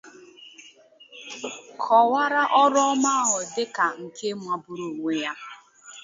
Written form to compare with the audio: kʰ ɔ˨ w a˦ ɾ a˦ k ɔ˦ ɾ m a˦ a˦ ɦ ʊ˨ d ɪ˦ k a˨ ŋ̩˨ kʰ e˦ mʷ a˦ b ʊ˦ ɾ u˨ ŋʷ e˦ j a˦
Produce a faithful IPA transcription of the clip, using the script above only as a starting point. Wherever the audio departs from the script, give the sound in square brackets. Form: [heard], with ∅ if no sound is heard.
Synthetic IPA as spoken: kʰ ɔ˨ w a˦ ɾ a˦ [ʔ] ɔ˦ ɾ m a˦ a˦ ɦ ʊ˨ d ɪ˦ k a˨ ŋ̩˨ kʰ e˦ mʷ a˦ b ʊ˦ ɾ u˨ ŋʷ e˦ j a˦

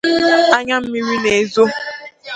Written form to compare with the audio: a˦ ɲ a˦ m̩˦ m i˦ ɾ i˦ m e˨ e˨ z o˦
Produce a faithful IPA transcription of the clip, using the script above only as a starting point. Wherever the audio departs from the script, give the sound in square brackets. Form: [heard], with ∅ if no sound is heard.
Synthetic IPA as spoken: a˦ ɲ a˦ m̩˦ m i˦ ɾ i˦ [n] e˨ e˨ z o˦

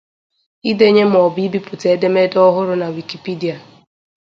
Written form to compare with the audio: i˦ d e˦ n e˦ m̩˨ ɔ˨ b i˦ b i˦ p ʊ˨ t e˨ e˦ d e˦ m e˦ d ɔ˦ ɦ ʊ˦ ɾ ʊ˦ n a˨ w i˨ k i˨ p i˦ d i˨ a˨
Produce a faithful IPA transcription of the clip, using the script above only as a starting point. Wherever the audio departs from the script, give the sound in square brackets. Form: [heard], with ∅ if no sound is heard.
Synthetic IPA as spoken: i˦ d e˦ [ɲ] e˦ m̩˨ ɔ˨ b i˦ b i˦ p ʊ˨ t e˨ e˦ d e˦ m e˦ d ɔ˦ ɦ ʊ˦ ɾ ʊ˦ n a˨ w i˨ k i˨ p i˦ d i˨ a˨

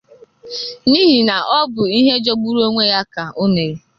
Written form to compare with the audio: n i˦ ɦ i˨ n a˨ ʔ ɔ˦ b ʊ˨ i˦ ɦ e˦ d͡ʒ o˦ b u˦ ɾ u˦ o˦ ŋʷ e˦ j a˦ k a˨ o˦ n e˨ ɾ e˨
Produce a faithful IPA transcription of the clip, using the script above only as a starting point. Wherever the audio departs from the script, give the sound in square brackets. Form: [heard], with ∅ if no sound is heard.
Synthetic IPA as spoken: n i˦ ɦ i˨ n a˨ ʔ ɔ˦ b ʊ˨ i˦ ɦ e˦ d͡ʒ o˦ [ɡ͡b] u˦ ɾ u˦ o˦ ŋʷ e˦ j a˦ k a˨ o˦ n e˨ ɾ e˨

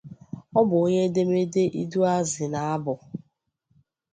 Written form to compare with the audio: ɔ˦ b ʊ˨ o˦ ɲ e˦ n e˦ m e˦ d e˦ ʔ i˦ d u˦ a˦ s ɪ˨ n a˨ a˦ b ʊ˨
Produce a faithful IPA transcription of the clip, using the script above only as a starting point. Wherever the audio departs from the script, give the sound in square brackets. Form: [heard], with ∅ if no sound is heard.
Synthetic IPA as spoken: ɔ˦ b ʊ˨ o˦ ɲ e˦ [d] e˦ m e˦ d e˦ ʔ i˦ d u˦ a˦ [z] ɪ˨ n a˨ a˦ b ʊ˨

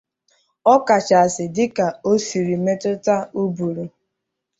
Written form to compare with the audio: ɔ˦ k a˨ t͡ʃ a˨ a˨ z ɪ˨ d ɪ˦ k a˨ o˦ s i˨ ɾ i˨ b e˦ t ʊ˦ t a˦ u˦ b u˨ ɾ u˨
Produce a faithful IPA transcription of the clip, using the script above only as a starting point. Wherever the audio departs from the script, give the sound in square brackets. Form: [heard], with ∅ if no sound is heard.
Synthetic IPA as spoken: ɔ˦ k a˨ t͡ʃ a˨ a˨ [s] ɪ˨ d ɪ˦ k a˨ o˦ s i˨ ɾ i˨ [m] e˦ t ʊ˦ t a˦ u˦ b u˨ ɾ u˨

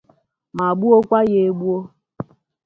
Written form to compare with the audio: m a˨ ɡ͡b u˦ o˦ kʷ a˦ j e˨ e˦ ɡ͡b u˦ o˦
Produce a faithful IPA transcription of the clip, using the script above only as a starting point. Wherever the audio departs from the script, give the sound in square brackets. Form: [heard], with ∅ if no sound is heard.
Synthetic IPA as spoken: m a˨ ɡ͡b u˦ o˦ kʷ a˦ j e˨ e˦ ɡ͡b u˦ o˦

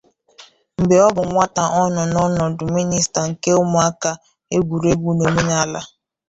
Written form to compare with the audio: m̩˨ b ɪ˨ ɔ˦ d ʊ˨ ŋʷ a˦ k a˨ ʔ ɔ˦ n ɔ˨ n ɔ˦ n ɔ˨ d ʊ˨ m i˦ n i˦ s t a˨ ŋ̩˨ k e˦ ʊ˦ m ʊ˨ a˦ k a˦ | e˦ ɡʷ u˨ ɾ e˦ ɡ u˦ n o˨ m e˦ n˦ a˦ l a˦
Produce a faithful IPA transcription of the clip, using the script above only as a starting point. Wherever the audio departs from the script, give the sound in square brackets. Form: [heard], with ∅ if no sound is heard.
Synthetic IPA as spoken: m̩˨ b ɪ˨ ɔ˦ [b] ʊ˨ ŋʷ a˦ [t] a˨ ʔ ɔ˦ n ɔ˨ n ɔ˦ n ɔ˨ d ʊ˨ m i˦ n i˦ s t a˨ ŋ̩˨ k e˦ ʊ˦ m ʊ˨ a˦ k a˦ | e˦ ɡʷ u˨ ɾ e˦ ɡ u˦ n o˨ m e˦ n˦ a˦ l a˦

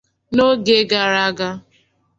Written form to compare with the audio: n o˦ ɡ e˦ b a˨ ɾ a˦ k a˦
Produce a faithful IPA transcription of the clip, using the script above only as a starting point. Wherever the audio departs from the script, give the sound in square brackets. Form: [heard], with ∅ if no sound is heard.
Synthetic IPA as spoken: n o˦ ɡ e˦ [ɡ] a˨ ɾ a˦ [ɡ] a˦

